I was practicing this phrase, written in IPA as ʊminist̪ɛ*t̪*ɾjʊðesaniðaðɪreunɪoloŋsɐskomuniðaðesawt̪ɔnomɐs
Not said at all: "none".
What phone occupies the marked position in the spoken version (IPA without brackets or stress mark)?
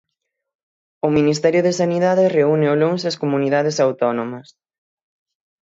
none